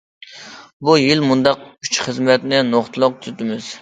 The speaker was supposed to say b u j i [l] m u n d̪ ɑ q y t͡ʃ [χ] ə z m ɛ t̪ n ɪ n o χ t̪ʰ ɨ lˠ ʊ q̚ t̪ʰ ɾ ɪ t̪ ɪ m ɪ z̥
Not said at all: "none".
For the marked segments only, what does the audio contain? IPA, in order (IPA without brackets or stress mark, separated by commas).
l, χ